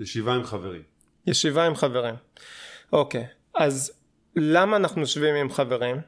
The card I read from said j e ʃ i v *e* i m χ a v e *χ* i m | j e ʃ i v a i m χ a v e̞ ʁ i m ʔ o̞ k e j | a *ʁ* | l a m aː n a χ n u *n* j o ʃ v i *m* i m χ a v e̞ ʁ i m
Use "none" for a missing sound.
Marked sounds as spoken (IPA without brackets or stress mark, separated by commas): a, ʁ, z, none, m